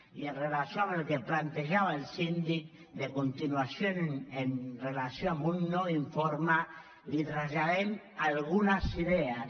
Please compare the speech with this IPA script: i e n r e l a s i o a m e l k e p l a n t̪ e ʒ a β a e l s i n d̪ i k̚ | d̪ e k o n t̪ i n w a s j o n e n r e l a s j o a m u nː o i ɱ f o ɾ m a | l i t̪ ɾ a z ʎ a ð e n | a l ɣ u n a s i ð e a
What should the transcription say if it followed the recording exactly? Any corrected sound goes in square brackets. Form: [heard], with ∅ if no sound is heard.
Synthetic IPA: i e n r e l a s [j] o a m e l k e p l a n t̪ e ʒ a β a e l s i n d̪ i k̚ | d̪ e k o n t̪ i n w a s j o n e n r e l a s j o a m u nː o i ɱ f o ɾ m a | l i t̪ ɾ a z ʎ a ð e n | a l ɣ u n a s i ð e a